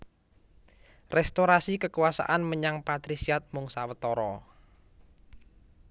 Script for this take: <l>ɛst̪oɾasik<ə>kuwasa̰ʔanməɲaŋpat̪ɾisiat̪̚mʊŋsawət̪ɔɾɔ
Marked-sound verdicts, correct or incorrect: incorrect: r, correct

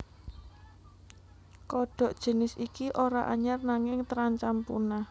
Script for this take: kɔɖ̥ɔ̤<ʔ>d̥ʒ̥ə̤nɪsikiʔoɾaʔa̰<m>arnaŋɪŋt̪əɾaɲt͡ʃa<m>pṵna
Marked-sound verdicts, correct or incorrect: correct, incorrect: ɲ, correct

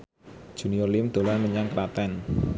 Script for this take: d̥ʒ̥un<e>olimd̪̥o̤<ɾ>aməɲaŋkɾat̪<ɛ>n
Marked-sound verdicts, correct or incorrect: incorrect: i, incorrect: l, correct

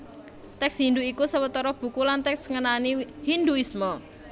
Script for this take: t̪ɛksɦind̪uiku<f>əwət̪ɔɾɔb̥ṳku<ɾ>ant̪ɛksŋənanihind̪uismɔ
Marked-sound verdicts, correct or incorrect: incorrect: s, incorrect: l

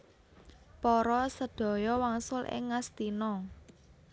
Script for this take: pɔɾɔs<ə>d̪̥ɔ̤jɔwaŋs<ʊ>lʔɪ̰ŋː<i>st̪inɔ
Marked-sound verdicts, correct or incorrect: correct, correct, incorrect: a

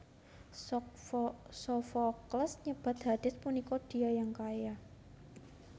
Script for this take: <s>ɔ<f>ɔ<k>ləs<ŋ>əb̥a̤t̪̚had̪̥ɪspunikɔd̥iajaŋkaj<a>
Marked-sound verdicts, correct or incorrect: correct, correct, correct, incorrect: ɲ, correct

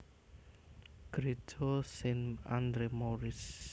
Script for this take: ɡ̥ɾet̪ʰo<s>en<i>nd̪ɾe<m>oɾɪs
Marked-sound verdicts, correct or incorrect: correct, incorrect: a, correct

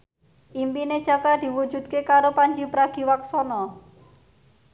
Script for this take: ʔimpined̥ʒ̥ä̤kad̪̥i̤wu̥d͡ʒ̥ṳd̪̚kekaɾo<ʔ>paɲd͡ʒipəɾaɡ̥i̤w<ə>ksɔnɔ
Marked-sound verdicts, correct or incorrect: incorrect: none, incorrect: a

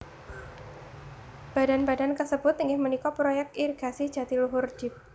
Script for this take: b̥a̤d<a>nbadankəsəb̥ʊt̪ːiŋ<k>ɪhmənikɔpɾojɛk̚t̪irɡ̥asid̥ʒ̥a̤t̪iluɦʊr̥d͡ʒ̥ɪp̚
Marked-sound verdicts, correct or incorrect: correct, incorrect: ɡ

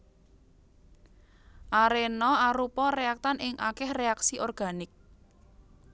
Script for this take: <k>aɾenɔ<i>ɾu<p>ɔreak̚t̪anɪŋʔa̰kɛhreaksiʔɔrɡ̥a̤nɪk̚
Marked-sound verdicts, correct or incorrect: incorrect: ʔ, incorrect: a, correct

